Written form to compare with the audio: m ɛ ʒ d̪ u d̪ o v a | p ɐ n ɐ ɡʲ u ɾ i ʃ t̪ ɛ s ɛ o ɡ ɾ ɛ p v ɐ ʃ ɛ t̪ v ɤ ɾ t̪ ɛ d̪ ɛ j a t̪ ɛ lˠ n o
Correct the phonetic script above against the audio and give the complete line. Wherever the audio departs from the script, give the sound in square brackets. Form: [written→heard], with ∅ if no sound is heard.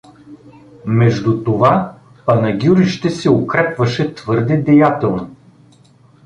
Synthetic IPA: m ɛ ʒ d̪ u [d̪→t̪] o v a | p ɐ n ɐ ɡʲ u ɾ i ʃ t̪ ɛ s ɛ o [ɡ→k] ɾ ɛ p v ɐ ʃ ɛ t̪ v ɤ ɾ [t̪→d̪] ɛ d̪ ɛ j a t̪ ɛ lˠ n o